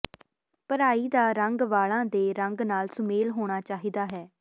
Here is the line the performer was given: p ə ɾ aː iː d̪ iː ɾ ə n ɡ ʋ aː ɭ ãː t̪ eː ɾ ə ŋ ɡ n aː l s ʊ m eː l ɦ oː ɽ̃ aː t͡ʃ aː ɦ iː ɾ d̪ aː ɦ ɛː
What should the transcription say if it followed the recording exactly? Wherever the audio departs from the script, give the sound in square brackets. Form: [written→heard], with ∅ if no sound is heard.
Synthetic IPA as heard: p ə ɾ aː iː d̪ [iː→aː] ɾ ə [n→ŋ] ɡ ʋ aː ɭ ãː [t̪→d̪] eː ɾ ə ŋ ɡ n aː l s ʊ m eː l ɦ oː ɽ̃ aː t͡ʃ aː ɦ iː [ɾ→∅] d̪ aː ɦ ɛː

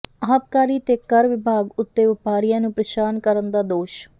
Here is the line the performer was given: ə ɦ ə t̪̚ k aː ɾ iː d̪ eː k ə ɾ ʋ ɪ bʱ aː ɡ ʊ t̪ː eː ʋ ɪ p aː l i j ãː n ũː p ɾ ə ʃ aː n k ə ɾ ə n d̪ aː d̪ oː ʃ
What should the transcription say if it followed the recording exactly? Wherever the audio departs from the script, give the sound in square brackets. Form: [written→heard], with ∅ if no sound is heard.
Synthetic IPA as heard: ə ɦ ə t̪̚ k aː ɾ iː [d̪→t̪] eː k ə ɾ ʋ ɪ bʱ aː ɡ ʊ t̪ː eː ʋ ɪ p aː [l→ɾ] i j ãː n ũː p ɾ ə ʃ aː n k ə ɾ ə n d̪ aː d̪ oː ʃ

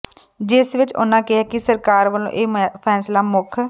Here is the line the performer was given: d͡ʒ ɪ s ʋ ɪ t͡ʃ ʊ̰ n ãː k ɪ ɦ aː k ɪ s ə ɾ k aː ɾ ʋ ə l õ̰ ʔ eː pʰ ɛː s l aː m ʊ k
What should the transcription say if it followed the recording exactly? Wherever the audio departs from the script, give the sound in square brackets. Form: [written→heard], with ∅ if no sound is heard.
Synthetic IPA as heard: d͡ʒ ɪ s ʋ ɪ t͡ʃ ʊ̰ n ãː k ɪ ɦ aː k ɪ s ə ɾ k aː ɾ ʋ ə l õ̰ ʔ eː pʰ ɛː s l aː m ʊ [k→kʰ]

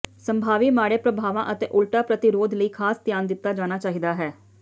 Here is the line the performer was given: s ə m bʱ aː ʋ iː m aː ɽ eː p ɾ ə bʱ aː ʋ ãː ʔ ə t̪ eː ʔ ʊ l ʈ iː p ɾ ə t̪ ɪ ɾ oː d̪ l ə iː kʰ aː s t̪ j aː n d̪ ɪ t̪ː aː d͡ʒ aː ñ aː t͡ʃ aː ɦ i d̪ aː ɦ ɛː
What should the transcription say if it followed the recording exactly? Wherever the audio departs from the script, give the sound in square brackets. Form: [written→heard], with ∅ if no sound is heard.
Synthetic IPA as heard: s ə m bʱ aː ʋ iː m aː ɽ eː p ɾ ə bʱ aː ʋ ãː ʔ ə t̪ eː ʔ ʊ l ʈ [iː→aː] p ɾ ə t̪ ɪ ɾ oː d̪ l ə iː kʰ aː s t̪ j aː n d̪ ɪ t̪ː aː d͡ʒ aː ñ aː t͡ʃ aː ɦ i d̪ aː ɦ ɛː

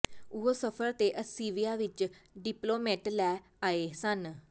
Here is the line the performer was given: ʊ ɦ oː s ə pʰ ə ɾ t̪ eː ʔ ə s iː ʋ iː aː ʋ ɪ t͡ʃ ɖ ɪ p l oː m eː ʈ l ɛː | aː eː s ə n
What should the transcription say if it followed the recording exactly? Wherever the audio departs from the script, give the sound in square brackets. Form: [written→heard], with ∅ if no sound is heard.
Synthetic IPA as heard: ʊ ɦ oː s ə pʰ ə ɾ t̪ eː ʔ ə s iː ʋ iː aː ʋ ɪ t͡ʃ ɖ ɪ p l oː m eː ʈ l ɛː | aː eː s ə n

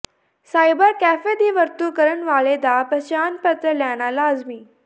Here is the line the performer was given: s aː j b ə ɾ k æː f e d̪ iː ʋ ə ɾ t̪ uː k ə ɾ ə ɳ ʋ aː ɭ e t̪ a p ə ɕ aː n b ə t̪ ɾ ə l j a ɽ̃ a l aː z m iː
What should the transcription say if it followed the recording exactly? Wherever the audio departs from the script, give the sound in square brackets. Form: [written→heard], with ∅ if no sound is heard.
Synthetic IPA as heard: s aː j b ə ɾ k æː f e d̪ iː ʋ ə ɾ t̪ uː k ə ɾ ə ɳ ʋ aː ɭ e [t̪→d̪] a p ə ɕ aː n [b→p] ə t̪ ɾ ə l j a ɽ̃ a l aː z m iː

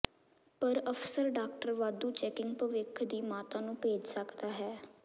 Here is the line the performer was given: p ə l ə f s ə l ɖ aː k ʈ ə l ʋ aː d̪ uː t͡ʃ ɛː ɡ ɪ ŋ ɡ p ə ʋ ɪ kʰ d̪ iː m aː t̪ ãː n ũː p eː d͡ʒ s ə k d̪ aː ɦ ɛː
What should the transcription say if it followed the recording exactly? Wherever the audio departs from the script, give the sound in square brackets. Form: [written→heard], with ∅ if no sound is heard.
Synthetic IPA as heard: p ə [l→ɾ] ə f s ə [l→ɾ] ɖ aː k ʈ ə [l→ɾ] ʋ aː d̪ uː t͡ʃ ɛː [ɡ→k] ɪ ŋ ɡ p ə ʋ ɪ kʰ d̪ iː m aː t̪ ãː n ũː p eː d͡ʒ s ə k d̪ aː ɦ ɛː

